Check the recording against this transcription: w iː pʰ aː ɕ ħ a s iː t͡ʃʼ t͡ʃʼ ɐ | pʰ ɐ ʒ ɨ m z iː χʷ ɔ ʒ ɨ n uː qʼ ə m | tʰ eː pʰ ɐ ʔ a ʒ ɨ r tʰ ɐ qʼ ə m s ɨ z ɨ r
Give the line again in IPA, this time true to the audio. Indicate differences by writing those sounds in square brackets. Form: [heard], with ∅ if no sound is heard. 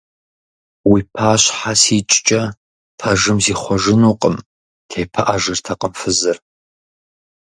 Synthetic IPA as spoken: w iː pʰ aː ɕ ħ a s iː t͡ʃʼ t͡ʃʼ ɐ | pʰ ɐ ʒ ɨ m z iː χʷ ɔ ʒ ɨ n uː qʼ ə m | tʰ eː pʰ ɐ ʔ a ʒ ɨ r tʰ ɐ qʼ ə m [f] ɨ z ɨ r